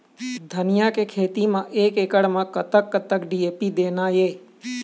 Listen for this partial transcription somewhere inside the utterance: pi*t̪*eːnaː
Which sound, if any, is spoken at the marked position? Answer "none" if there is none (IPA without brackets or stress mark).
d̪